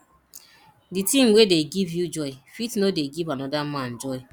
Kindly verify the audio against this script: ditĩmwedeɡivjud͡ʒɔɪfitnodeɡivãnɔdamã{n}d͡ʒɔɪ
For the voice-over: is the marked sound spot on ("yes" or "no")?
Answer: yes